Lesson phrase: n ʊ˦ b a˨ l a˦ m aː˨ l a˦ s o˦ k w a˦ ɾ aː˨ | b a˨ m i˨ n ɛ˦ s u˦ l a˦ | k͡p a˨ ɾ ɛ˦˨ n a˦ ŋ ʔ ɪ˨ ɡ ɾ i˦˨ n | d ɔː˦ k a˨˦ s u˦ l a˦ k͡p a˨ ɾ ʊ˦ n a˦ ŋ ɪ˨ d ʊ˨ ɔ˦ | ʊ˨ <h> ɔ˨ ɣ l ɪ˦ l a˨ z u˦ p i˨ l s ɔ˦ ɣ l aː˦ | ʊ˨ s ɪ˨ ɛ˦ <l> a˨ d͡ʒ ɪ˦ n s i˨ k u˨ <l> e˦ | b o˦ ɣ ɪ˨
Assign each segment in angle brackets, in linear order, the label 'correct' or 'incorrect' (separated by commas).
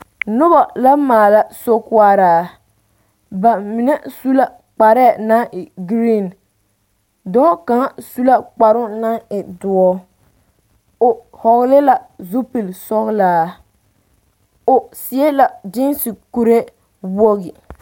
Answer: correct, correct, incorrect